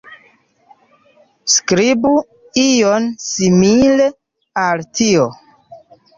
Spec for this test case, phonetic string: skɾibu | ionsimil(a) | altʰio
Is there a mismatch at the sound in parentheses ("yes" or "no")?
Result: yes